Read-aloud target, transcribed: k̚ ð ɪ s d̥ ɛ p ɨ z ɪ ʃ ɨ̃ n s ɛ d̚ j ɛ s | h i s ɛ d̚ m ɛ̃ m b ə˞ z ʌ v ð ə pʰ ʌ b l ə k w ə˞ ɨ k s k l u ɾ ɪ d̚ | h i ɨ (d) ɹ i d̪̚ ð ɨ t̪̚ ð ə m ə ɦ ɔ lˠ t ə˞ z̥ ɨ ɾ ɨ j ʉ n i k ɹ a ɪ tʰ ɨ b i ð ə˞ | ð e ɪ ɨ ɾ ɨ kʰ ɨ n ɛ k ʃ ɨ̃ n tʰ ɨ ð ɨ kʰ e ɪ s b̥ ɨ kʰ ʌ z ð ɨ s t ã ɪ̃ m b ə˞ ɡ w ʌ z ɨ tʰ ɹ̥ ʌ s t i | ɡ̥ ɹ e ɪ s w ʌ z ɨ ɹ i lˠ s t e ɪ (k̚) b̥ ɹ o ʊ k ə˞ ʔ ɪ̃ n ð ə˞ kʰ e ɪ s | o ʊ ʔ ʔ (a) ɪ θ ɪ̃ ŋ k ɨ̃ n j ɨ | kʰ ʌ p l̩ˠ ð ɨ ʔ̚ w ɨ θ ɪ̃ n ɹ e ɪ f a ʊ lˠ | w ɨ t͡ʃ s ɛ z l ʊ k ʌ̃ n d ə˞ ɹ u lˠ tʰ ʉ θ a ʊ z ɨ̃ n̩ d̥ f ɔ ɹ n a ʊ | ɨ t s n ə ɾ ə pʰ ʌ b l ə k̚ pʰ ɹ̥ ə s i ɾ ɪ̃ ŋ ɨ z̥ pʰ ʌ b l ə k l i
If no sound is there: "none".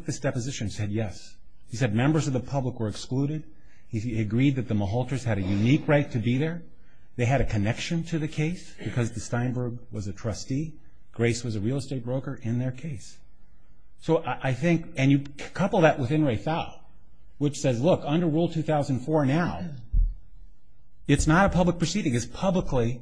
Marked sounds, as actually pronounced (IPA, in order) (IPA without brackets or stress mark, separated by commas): ɡ, t̚, a